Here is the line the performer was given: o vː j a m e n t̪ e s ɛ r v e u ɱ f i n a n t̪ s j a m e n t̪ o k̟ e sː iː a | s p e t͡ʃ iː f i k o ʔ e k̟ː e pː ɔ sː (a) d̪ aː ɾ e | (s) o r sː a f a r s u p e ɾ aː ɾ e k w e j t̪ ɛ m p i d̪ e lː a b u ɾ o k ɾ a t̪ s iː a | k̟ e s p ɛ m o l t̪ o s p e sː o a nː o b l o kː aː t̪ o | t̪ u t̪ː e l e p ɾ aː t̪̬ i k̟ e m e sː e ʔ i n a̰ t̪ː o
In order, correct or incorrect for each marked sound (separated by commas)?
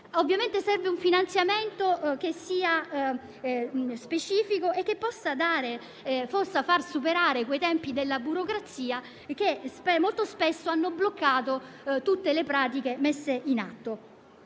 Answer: correct, incorrect